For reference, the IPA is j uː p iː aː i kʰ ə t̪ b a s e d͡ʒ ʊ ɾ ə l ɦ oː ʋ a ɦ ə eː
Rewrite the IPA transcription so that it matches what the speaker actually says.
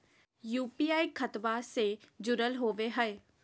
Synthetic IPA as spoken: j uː p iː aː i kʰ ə t̪ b a s e d͡ʒ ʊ ɾ ə l ɦ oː ʋ e ɦ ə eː